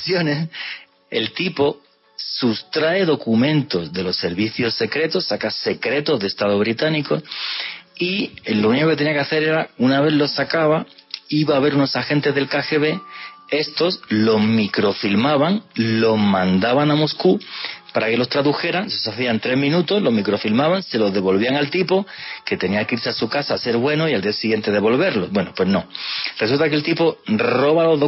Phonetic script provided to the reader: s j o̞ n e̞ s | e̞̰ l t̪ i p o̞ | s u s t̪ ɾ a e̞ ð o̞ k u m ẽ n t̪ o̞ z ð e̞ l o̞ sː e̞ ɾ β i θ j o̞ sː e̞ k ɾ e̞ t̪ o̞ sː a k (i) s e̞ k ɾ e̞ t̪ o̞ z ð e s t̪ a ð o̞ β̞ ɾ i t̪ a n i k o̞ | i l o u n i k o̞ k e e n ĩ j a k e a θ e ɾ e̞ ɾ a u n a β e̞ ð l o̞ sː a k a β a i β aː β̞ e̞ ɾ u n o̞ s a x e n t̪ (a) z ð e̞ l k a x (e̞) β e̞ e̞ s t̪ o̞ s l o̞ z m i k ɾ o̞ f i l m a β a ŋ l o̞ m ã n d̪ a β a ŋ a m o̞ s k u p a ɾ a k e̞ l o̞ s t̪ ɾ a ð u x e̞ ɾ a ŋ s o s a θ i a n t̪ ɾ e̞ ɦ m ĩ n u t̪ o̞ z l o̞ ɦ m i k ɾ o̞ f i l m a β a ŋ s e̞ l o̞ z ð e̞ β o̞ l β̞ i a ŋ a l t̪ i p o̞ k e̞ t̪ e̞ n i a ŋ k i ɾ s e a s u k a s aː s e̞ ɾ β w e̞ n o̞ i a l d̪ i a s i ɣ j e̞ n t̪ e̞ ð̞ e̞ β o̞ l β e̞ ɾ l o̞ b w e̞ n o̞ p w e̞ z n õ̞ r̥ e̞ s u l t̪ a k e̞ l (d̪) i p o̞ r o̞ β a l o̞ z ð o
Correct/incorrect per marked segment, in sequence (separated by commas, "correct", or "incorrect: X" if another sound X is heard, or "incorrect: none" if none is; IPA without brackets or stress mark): incorrect: a, incorrect: e, correct, incorrect: t̪